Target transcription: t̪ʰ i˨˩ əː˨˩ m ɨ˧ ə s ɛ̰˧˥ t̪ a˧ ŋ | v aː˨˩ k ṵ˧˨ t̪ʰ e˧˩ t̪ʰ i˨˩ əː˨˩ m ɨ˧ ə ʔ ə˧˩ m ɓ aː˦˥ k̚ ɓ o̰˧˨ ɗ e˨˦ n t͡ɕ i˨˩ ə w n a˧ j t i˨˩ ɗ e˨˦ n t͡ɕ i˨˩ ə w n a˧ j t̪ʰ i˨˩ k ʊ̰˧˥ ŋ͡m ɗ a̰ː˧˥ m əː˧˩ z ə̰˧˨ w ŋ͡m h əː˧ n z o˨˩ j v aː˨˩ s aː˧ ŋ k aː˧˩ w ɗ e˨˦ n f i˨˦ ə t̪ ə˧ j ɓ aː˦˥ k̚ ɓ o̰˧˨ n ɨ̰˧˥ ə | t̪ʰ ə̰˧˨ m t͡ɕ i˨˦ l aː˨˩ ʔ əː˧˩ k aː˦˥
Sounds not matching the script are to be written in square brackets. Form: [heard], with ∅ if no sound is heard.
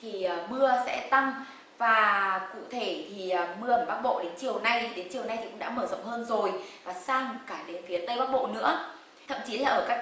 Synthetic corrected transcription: t̪ʰ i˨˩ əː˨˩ m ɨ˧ ə s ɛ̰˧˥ t̪ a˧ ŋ | v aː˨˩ k ṵ˧˨ t̪ʰ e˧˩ t̪ʰ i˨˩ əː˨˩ m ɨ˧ ə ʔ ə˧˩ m ɓ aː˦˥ k̚ ɓ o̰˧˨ ɗ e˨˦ n t͡ɕ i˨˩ ə w n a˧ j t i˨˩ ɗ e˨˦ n t͡ɕ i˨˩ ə w n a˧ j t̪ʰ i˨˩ k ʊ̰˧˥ ŋ͡m ɗ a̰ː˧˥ m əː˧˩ z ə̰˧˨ w ŋ͡m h əː˧ n z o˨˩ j v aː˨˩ s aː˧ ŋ k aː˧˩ [∅] ɗ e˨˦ n f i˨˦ ə t̪ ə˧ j ɓ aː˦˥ k̚ ɓ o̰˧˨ n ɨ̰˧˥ ə | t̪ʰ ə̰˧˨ m t͡ɕ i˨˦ l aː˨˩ ʔ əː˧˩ k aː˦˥